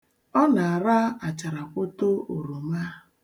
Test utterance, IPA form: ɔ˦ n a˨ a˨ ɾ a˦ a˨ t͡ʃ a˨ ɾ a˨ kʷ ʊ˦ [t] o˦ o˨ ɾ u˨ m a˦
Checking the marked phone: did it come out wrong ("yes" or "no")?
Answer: no